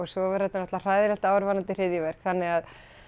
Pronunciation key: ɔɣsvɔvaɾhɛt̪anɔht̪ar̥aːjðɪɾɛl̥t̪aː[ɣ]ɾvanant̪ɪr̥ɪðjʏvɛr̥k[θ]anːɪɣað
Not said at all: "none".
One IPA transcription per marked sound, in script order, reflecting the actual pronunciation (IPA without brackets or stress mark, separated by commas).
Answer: w, θ